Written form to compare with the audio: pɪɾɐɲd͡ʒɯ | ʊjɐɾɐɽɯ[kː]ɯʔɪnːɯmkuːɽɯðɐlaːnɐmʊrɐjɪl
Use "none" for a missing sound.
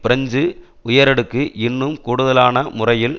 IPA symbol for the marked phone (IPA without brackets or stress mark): kː